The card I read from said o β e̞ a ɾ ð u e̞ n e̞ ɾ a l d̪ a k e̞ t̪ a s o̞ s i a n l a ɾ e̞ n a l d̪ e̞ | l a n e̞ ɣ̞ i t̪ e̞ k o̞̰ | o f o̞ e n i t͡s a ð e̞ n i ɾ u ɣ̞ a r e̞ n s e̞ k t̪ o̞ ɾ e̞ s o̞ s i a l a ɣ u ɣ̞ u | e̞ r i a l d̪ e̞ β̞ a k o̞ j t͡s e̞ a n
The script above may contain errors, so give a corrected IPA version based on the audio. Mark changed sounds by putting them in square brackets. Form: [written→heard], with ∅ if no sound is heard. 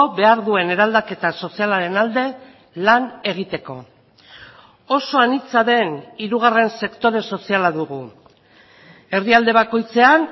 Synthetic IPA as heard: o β e̞ a ɾ ð u e̞ n e̞ ɾ a l d̪ a k e̞ t̪ a s o̞ s i a [n→∅] l a ɾ e̞ n a l d̪ e̞ | l a n e̞ ɣ̞ i t̪ e̞ k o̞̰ | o [f→s] o̞ [e→a] n i t͡s a ð e̞ n i ɾ u ɣ̞ a r e̞ n s e̞ k t̪ o̞ ɾ e̞ s o̞ s i a l a [ɣ→ð] u ɣ̞ u | e̞ r i a l d̪ e̞ β̞ a k o̞ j t͡s e̞ a n

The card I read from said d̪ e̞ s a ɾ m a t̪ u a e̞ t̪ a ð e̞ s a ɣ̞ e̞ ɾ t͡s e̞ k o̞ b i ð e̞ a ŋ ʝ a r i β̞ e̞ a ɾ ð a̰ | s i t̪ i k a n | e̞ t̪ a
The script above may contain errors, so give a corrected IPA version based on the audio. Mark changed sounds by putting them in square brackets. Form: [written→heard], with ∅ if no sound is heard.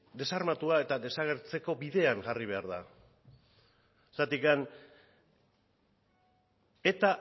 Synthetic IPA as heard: d̪ e̞ s a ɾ m a t̪ u a e̞ t̪ a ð e̞ s a ɣ̞ e̞ ɾ t͡s e̞ k o̞ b i ð e̞ a ŋ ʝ a r i β̞ e̞ a ɾ ð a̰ | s [i→a] t̪ i k a n | e̞ t̪ a

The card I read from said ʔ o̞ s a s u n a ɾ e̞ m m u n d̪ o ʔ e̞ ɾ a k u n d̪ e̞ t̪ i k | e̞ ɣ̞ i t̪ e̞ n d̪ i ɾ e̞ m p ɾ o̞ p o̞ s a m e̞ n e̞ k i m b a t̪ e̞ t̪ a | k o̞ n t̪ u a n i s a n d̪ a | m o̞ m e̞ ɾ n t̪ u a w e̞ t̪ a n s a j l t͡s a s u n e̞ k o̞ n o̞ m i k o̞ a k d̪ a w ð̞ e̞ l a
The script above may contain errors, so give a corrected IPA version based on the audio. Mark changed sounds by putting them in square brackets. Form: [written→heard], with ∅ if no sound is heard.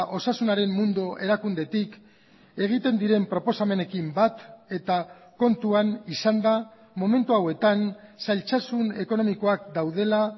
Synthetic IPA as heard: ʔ o̞ s a s u n a ɾ e̞ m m u n d̪ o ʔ e̞ ɾ a k u n d̪ e̞ t̪ i k | e̞ ɣ̞ i t̪ e̞ n d̪ i ɾ e̞ m p ɾ o̞ p o̞ s a m e̞ n e̞ k i m b a t̪ e̞ t̪ a | k o̞ n t̪ u a n i s a n d̪ a | m o̞ m e̞ [ɾ→∅] n t̪ u a w e̞ t̪ a n s a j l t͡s a s u n e̞ k o̞ n o̞ m i k o̞ a k d̪ a w ð̞ e̞ l a

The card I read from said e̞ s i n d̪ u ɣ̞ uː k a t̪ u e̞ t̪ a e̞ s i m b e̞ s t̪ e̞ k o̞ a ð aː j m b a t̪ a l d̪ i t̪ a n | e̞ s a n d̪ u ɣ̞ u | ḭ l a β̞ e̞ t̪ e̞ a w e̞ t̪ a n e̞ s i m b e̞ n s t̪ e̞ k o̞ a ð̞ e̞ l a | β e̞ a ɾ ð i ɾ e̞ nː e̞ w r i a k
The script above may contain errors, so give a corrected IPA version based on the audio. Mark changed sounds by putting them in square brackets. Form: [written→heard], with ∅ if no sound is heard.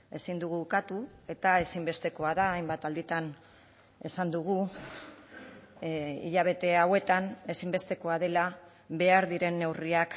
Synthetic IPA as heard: e̞ s i n d̪ u ɣ̞ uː k a t̪ u e̞ t̪ a e̞ s i m b e̞ s t̪ e̞ k o̞ a ð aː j m b a t̪ a l d̪ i t̪ a n | e̞ s a n d̪ u ɣ̞ u | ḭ [l→ʎ] a β̞ e̞ t̪ e̞ a w e̞ t̪ a n e̞ s i m b e̞ [n→∅] s t̪ e̞ k o̞ a ð̞ e̞ l a | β e̞ a ɾ ð i ɾ e̞ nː e̞ w r i a k

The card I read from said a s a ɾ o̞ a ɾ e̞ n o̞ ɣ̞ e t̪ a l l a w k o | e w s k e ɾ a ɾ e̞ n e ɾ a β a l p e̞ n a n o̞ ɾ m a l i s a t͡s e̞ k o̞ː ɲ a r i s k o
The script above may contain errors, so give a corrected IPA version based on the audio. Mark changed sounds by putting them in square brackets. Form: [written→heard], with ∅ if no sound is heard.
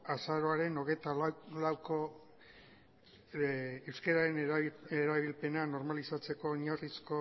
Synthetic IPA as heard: a s a ɾ o̞ a ɾ e̞ n o̞ ɣ̞ e t̪ a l l a w k o | e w s k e ɾ a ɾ e̞ n e ɾ a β [a→i] l p e̞ n a n o̞ ɾ m a l i s a t͡s e̞ k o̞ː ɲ a r i s k o

